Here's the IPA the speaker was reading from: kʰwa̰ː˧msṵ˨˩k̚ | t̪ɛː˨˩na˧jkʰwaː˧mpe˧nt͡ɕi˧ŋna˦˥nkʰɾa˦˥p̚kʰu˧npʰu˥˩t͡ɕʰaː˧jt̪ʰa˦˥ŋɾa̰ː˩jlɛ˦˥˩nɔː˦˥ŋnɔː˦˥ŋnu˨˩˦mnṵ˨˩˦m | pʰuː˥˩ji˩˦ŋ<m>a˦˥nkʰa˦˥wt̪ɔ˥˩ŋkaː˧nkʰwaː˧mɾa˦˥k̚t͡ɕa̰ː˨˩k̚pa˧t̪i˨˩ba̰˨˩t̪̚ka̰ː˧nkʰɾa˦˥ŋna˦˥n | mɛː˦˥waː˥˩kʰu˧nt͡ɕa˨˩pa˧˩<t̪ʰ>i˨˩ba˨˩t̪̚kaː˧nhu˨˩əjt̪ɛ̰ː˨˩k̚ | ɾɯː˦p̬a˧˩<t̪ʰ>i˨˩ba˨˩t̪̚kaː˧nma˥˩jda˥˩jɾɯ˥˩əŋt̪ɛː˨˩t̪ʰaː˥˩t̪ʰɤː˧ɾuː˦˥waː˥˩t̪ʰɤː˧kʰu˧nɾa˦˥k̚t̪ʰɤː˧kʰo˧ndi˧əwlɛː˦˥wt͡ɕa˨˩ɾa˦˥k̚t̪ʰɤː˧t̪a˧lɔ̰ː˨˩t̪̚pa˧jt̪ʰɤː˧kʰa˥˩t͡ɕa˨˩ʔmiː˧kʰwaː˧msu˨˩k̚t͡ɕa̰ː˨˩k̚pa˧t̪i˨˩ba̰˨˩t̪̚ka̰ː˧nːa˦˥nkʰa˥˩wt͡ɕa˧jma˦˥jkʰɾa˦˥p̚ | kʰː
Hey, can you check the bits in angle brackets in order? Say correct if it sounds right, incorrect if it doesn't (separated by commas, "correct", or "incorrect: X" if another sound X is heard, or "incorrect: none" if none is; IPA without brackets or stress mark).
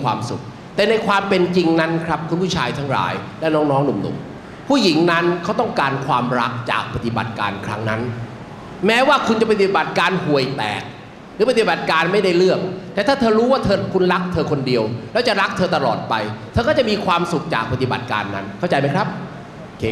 incorrect: n, incorrect: t̪, incorrect: t̪